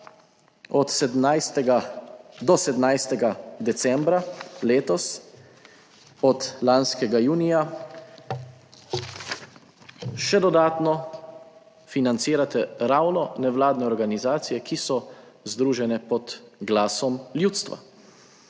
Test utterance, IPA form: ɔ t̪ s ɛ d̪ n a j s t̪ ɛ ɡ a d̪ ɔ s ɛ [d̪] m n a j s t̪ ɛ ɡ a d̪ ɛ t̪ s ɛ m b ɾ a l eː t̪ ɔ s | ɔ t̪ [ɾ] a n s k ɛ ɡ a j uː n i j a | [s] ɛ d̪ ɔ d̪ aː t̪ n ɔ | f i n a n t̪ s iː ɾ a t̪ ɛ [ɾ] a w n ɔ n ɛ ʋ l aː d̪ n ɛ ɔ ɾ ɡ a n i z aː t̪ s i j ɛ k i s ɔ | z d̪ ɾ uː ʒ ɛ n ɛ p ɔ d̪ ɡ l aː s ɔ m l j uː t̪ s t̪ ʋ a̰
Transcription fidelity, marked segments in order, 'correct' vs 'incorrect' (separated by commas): correct, incorrect, incorrect, correct